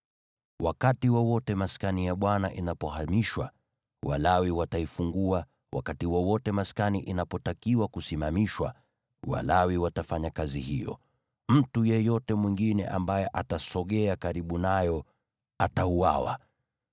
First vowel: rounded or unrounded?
unrounded